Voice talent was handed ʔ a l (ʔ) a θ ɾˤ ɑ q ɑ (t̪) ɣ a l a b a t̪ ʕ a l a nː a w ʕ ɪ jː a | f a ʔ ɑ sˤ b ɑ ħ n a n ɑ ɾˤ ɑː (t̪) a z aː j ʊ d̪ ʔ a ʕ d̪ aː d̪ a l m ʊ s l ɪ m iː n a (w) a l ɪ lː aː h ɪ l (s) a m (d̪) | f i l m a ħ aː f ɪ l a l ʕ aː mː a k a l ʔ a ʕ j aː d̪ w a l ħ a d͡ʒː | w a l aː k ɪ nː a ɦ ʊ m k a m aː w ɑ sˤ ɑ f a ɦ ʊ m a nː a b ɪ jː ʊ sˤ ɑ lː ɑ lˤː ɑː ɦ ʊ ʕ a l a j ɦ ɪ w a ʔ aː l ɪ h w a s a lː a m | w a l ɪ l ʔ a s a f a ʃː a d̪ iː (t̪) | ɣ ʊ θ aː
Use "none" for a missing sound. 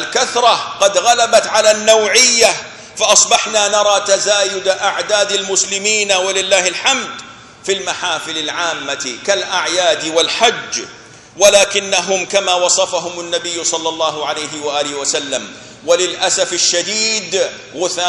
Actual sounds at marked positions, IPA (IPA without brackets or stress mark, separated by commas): k, d̪, t̪, w, ħ, d̪, d̪